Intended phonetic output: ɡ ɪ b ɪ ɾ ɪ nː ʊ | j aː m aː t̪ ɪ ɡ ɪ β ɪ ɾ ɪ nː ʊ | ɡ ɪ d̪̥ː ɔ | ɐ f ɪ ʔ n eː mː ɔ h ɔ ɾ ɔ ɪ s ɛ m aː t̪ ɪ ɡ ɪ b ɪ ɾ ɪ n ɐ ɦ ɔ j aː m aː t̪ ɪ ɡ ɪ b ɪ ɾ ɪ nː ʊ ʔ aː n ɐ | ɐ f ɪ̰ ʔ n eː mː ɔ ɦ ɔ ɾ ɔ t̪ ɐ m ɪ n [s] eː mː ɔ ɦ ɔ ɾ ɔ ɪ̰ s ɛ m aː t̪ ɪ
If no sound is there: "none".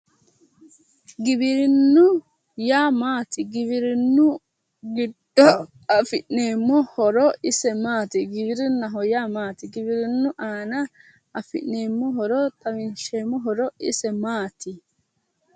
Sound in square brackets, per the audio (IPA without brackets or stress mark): ʃ